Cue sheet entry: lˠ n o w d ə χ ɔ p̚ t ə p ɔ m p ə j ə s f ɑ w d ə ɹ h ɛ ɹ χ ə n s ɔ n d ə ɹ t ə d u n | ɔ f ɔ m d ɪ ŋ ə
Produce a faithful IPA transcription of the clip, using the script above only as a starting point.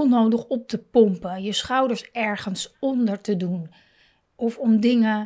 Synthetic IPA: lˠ n o w d ə χ ɔ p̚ t ə p ɔ m p ə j ə s χ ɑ w d ə ɹ s ɛ ɹ χ ə n s ɔ n d ə ɹ t ə d u n | ɔ f ɔ m d ɪ ŋ ə